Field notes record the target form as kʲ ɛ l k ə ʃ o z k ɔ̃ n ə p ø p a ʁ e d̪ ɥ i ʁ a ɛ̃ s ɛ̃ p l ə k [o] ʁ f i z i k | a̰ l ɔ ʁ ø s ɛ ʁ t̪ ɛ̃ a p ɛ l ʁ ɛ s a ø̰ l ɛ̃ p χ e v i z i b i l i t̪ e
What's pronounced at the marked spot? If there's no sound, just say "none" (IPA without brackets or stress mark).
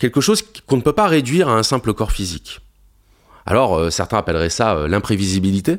ɔ